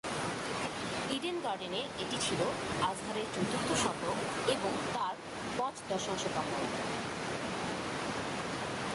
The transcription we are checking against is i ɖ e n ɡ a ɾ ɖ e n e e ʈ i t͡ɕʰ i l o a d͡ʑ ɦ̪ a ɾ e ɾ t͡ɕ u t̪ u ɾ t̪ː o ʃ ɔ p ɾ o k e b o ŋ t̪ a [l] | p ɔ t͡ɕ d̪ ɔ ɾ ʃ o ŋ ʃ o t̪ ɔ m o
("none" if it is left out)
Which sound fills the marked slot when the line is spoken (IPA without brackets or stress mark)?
ɾ